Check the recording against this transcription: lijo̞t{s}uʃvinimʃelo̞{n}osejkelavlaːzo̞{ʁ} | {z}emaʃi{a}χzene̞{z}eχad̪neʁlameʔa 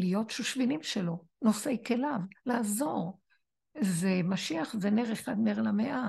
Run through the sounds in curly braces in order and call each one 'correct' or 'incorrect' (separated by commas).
incorrect, correct, correct, correct, correct, incorrect